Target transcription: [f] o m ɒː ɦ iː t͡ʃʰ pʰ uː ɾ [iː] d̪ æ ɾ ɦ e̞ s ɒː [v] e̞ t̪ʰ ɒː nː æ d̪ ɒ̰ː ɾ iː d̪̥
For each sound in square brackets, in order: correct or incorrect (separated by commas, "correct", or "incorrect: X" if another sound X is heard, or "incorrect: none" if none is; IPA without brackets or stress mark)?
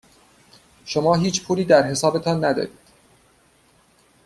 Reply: incorrect: ʃ, correct, incorrect: b